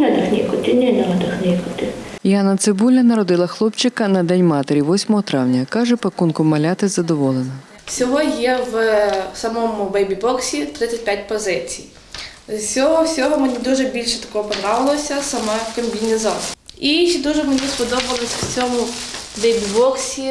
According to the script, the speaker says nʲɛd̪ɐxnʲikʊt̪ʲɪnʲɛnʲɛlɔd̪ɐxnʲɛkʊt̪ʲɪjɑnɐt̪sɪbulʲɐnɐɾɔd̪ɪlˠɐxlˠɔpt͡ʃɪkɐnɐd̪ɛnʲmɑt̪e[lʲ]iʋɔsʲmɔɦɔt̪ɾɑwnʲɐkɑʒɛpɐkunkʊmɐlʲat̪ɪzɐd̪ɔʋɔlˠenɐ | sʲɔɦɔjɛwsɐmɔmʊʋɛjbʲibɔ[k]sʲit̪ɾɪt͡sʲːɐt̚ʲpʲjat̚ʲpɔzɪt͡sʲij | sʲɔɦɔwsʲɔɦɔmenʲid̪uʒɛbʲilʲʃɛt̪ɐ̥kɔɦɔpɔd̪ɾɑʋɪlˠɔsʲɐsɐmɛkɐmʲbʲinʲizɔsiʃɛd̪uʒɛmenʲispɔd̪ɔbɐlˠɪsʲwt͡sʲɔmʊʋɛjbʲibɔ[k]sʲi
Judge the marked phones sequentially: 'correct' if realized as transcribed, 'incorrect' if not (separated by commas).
incorrect, correct, correct